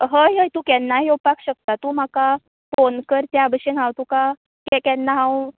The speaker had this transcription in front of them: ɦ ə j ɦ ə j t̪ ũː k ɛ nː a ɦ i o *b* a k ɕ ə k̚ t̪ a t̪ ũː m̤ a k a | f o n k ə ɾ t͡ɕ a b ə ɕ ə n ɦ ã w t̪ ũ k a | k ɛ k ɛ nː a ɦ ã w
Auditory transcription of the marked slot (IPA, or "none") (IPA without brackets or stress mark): p